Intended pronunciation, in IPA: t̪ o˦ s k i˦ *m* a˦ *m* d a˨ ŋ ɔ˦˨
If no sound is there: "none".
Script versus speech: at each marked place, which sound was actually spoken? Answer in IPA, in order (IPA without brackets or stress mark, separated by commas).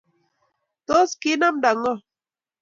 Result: n, m